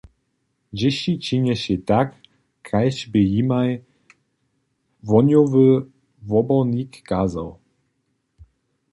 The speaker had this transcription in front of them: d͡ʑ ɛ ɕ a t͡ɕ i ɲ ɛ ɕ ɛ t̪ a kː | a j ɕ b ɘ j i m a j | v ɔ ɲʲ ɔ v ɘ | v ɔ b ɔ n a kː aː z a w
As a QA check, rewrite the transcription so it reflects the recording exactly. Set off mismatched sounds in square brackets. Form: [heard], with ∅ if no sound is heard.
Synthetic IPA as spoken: d͡ʑ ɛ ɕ [i] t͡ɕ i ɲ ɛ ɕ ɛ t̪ a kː | a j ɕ b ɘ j i m a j | v ɔ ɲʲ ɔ v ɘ | v ɔ b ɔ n [i] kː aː z a w